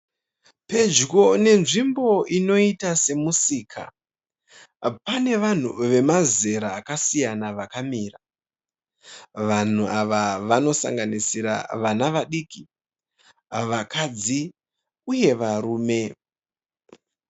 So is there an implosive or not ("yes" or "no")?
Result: yes